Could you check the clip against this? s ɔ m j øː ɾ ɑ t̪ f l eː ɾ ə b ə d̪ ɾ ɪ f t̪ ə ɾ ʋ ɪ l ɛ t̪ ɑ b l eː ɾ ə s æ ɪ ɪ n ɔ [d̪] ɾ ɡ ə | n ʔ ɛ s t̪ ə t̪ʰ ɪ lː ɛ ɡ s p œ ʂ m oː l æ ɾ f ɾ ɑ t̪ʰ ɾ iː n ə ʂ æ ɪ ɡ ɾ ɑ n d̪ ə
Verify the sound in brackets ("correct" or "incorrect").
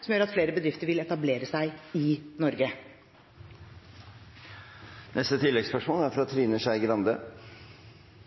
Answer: incorrect